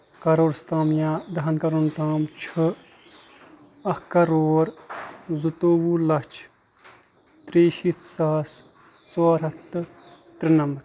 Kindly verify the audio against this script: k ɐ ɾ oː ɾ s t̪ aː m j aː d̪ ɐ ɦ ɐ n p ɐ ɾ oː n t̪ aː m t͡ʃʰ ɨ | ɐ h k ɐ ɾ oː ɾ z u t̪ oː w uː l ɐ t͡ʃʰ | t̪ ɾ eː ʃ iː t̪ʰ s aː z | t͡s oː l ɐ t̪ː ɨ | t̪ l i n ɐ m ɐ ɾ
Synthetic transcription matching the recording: k ɐ ɾ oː ɾ s t̪ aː m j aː d̪ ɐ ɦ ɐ n k ɐ ɾ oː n t̪ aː m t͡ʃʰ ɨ | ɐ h k ɐ ɾ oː ɾ z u t̪ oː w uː l ɐ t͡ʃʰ | t̪ ɾ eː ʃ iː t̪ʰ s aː s | t͡s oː ɾ ɐ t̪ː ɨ | t̪ ɾ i n ɐ m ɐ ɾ